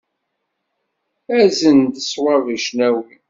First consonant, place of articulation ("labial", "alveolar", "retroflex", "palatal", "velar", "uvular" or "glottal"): alveolar